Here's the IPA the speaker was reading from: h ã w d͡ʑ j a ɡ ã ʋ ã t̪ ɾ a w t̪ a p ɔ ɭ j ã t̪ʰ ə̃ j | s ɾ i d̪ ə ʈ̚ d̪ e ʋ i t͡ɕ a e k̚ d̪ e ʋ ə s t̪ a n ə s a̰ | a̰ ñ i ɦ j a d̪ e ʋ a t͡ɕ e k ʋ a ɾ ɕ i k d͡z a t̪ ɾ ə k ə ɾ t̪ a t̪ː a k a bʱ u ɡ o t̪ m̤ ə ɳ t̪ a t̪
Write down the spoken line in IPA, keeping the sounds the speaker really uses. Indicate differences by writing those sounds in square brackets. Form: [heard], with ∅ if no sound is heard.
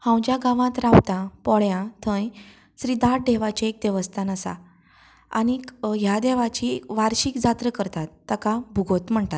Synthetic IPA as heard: h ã w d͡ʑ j a ɡ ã ʋ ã t̪ ɾ a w t̪ a p ɔ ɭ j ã t̪ʰ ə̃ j | s ɾ i d̪ [a] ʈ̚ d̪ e ʋ [a] t͡ɕ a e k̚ d̪ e ʋ ə s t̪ a n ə s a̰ | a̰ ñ i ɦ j a d̪ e ʋ a t͡ɕ [i] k ʋ a ɾ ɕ i k d͡z a t̪ ɾ ə k ə ɾ t̪ a t̪ː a k a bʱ u ɡ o t̪ m̤ ə ɳ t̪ a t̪